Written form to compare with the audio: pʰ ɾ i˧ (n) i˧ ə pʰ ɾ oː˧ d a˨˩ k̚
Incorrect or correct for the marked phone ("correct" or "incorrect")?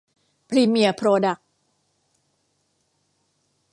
incorrect